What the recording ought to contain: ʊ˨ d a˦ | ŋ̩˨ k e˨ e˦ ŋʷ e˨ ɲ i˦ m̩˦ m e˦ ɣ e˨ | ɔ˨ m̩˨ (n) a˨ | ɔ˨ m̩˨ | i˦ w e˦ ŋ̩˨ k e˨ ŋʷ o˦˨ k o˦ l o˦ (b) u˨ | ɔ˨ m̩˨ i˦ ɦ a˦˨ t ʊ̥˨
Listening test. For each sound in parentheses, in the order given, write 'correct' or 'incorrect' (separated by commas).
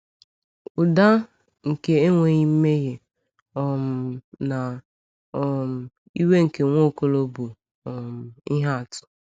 correct, correct